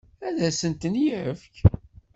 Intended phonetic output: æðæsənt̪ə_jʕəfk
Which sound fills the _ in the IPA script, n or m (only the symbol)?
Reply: n